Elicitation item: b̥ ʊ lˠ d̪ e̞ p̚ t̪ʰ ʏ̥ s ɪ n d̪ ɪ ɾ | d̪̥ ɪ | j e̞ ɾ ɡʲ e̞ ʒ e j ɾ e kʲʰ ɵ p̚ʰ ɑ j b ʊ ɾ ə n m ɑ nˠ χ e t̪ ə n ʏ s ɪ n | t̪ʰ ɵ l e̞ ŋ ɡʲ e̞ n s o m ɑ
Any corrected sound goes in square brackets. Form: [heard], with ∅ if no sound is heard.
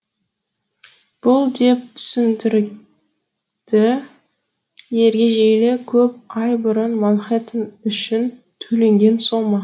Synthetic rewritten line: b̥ ʊ lˠ d̪ e̞ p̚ t̪ʰ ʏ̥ s ɪ n d̪ ɪ ɾ | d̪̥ ɪ | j e̞ ɾ ɡʲ e̞ ʒ e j [l] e kʲʰ ɵ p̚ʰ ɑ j b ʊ ɾ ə n m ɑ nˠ χ e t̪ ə n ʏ [ʃ] ɪ n | t̪ʰ ɵ l e̞ ŋ ɡʲ e̞ n s o m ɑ